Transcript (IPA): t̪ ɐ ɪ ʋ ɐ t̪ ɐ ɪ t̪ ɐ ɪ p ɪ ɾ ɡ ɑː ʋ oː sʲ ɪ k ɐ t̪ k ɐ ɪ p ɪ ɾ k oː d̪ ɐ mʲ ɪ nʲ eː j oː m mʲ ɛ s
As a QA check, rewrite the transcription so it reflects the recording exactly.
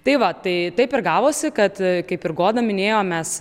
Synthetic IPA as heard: t̪ ɐ ɪ ʋ ɐ t̪ ɐ ɪ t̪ ɐ ɪ p ɪ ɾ ɡ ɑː ʋ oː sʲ ɪ k ɐ t̪ k ɐ ɪ p ɪ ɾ ɡ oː d̪ ɐ mʲ ɪ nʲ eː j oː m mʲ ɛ s